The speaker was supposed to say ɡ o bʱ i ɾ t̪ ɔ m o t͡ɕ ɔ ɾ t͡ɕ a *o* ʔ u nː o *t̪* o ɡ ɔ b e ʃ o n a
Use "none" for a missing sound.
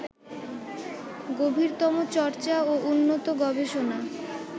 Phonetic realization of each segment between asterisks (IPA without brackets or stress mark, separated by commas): o, t̪